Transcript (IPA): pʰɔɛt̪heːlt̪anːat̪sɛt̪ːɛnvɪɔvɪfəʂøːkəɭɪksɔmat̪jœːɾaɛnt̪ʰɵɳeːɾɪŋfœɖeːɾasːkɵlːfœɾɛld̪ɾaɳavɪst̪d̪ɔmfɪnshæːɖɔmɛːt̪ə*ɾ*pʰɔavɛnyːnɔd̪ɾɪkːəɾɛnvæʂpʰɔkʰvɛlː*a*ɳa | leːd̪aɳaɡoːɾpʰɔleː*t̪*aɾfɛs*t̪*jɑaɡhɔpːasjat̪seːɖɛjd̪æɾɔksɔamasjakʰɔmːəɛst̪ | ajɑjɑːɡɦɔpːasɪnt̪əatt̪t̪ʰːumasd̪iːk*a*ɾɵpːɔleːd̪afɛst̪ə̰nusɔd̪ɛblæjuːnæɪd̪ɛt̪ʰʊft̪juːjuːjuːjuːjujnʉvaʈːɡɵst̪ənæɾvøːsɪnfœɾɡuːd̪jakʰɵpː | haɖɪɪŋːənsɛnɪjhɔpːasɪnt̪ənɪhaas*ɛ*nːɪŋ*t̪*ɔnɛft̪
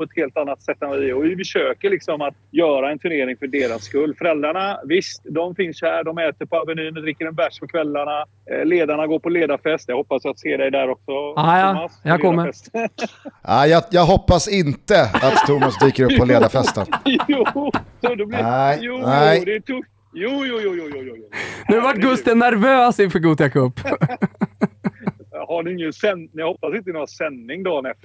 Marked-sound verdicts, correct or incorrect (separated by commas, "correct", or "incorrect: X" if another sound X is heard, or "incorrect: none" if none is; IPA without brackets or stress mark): correct, correct, incorrect: d̪, correct, incorrect: ə, correct, incorrect: d̪